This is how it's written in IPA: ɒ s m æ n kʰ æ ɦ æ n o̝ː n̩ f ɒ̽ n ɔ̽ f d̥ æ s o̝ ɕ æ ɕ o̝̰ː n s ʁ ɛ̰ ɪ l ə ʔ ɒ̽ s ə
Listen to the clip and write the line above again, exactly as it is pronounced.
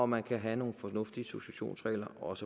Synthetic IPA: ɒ m æ n kʰ æ ɦ æ n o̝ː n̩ f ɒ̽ n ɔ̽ f d̥ i s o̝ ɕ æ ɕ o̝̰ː n s ʁ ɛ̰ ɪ l ɐ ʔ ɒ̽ s ə